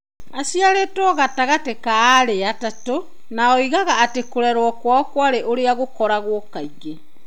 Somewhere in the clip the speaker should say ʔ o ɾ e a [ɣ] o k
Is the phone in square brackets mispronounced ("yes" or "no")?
no